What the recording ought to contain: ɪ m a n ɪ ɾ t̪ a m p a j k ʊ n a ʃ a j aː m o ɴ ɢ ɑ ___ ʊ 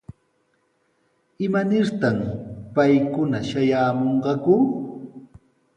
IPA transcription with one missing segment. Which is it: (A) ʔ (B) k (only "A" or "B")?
B